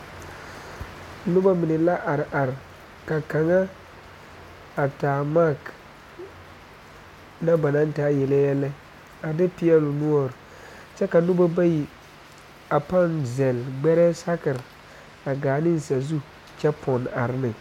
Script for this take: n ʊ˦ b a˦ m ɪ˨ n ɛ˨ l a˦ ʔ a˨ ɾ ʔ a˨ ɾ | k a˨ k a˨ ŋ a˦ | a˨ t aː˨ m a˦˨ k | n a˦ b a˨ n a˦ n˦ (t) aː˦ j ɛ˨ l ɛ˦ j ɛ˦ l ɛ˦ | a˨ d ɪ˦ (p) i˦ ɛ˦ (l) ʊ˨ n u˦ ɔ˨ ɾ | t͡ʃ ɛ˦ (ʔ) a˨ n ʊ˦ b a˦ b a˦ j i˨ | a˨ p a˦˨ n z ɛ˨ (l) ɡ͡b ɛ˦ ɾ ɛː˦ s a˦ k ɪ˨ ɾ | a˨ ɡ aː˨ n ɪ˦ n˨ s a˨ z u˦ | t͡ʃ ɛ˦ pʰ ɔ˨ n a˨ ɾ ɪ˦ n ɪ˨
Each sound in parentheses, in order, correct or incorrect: correct, correct, correct, incorrect, correct

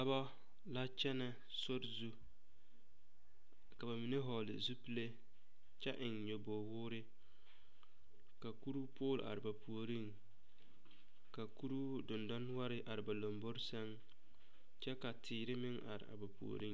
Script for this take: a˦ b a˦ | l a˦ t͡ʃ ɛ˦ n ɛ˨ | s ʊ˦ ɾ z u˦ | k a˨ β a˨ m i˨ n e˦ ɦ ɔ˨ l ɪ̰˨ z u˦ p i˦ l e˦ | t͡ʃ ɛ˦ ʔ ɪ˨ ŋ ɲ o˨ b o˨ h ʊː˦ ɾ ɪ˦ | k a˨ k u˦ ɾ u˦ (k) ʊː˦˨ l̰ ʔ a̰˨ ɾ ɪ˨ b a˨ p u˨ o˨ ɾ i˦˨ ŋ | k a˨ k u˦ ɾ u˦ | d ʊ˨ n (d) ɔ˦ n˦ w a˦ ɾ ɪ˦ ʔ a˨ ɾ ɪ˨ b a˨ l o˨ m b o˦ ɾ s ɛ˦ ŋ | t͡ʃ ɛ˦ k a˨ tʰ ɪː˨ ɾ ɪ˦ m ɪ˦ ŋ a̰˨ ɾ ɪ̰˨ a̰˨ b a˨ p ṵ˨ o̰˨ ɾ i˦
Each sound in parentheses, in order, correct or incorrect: incorrect, correct

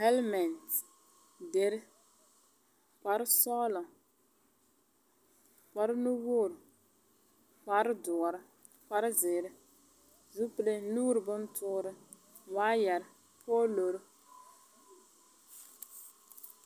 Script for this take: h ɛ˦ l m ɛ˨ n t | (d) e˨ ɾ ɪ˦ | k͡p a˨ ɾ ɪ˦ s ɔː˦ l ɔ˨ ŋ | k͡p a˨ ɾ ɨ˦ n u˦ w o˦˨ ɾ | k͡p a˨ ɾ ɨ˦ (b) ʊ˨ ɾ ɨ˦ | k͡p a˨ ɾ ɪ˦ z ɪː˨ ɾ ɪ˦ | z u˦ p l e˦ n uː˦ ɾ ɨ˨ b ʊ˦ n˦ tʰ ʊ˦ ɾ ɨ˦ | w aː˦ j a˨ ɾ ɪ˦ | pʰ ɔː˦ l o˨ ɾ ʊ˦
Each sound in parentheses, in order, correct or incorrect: correct, incorrect

